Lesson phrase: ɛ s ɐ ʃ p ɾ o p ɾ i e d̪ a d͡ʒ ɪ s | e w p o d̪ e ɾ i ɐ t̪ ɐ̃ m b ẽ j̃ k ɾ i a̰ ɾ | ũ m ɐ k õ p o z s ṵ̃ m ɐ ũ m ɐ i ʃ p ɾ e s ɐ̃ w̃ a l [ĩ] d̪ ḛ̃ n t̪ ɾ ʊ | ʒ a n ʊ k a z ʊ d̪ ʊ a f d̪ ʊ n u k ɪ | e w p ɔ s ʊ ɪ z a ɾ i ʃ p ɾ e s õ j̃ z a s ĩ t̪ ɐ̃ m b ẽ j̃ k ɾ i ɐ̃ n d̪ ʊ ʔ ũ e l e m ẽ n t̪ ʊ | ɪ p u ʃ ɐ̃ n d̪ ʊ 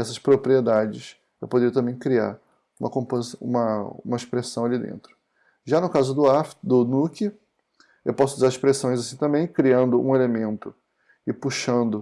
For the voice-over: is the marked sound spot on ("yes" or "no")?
no